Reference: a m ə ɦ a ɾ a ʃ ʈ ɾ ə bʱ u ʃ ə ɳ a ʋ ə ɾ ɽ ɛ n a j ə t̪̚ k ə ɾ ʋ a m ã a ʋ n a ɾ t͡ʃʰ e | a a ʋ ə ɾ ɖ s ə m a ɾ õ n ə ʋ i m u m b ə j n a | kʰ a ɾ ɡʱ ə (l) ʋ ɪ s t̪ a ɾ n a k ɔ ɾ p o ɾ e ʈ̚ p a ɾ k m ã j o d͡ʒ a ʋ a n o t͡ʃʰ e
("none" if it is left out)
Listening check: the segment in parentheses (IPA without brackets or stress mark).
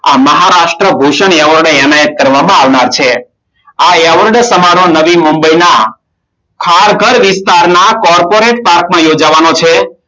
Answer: ɾ